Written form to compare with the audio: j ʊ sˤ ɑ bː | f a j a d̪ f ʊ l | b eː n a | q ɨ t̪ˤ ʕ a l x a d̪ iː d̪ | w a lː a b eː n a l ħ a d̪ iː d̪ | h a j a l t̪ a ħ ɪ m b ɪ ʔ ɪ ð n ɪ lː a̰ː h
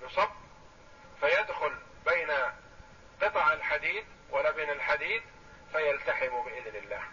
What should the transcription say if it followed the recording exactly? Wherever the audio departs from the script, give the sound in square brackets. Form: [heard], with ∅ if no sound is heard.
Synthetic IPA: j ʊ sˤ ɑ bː | f a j a d̪ [x] ʊ l | b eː n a | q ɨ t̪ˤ ʕ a l [ħ] a d̪ iː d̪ | w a lː a b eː n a l ħ a d̪ iː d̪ | [f] a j a l t̪ a ħ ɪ m b ɪ ʔ ɪ ð n ɪ lː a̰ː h